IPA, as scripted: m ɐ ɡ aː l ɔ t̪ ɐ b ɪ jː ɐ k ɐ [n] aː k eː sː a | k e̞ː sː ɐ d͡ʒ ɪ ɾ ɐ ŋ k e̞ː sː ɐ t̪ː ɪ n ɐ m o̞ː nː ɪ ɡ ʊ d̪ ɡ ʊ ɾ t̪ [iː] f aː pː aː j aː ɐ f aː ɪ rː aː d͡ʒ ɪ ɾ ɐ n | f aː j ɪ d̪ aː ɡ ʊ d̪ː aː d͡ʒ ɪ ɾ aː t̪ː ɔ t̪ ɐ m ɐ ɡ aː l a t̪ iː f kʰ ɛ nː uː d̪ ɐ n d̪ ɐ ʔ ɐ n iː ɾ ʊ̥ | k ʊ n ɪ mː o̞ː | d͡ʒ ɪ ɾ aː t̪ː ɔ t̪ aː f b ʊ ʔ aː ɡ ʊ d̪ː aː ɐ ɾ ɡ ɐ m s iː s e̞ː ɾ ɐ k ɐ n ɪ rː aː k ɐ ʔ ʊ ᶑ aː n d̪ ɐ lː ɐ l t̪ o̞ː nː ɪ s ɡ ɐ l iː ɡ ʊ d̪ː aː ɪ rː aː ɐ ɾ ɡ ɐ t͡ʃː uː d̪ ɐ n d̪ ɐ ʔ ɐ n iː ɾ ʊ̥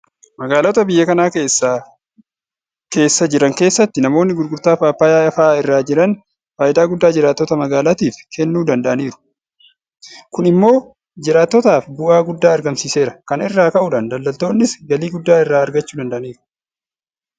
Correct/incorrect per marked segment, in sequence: correct, incorrect: aː

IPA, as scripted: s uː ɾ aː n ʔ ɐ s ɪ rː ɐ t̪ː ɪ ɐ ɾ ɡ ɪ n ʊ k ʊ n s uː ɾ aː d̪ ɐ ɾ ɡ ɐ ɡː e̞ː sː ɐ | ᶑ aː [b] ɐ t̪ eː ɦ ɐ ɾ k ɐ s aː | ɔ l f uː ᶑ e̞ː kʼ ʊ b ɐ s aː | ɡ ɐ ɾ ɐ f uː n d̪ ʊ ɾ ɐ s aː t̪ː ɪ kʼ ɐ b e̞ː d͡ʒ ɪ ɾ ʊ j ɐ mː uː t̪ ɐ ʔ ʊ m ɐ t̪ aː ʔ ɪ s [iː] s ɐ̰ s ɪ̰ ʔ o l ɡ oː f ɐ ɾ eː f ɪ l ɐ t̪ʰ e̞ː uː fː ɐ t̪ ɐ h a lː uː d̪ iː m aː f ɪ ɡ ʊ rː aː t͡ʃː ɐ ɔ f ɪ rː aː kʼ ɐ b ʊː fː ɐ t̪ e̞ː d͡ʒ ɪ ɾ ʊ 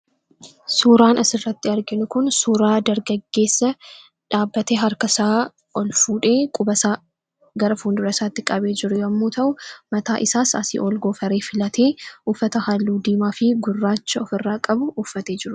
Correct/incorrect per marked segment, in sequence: incorrect: bː, incorrect: aː

